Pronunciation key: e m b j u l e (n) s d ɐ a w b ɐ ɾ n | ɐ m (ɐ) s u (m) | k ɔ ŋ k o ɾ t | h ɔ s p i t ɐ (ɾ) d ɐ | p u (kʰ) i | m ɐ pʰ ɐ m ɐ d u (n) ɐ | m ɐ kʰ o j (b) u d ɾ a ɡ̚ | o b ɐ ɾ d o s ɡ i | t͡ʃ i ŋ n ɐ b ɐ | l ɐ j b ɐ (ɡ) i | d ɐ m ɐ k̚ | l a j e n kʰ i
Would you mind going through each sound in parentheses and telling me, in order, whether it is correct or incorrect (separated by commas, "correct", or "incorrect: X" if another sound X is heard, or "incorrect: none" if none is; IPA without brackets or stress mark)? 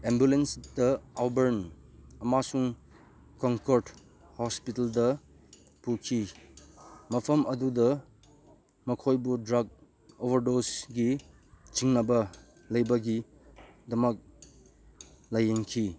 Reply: correct, incorrect: a, incorrect: ŋ, incorrect: l, correct, incorrect: d, correct, correct